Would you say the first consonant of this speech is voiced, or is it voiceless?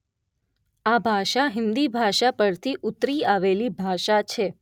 voiced